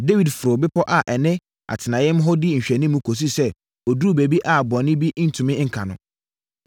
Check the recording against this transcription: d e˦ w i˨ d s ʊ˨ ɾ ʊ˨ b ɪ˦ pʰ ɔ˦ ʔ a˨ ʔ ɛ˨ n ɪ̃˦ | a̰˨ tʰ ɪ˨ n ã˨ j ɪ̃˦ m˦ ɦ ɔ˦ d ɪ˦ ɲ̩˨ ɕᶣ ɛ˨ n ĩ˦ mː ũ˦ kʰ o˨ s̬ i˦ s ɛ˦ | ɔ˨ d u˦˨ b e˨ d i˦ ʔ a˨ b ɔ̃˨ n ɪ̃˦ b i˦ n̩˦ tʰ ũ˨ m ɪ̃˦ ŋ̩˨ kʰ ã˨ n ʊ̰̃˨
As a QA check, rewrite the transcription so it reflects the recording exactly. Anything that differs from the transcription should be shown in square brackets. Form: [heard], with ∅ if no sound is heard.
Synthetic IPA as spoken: d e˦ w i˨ d [f] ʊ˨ ɾ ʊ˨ b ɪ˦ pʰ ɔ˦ ʔ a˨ ʔ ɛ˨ n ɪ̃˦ | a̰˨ tʰ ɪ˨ n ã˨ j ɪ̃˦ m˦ ɦ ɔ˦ d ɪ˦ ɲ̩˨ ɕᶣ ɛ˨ n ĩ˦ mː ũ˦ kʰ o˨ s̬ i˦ s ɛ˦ | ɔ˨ d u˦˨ b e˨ [b] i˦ ʔ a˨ b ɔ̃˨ n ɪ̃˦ b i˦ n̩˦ tʰ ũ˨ m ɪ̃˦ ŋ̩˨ kʰ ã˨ n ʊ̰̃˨

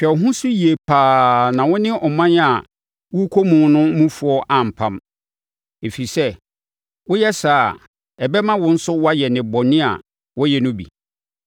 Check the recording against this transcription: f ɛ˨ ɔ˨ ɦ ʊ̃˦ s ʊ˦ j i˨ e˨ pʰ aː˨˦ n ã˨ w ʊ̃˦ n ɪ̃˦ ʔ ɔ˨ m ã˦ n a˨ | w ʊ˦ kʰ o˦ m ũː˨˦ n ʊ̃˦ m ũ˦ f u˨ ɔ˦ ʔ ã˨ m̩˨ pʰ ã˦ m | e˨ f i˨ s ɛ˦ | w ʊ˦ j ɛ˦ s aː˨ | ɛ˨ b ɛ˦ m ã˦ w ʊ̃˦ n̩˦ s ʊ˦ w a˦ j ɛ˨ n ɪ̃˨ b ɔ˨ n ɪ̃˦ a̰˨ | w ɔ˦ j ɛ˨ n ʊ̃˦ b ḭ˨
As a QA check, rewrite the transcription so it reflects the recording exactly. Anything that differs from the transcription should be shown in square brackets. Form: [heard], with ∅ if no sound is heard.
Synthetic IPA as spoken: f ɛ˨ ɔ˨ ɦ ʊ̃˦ s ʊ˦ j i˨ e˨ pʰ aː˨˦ n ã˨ w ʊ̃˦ n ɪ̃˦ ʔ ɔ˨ m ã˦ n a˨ | w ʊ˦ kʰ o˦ m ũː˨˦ n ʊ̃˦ m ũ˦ f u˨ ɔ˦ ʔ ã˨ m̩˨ pʰ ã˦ m | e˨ f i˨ s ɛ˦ | w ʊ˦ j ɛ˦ s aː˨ | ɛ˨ b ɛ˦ m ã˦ w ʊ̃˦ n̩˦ s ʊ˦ w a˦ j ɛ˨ n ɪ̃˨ b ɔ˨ n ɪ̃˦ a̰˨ | w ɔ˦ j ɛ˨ n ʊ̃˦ b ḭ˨

